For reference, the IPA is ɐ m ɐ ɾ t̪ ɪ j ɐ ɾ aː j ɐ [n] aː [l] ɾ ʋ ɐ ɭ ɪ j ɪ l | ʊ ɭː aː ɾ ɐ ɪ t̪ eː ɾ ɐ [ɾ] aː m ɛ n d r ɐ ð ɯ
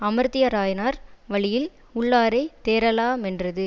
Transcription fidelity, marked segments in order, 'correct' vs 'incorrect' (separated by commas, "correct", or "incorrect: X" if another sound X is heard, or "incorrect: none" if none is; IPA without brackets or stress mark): correct, incorrect: none, incorrect: l